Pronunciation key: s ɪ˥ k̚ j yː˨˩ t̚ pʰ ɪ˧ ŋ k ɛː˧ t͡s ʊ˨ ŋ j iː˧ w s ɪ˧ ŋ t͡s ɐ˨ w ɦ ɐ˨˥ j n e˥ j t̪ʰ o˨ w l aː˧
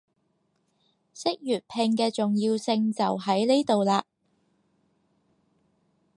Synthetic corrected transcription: s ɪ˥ k̚ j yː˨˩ t̚ pʰ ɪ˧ ŋ k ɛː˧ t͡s ʊ˨ ŋ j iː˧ w s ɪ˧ ŋ t͡s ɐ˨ w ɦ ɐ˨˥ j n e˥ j t̪ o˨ w l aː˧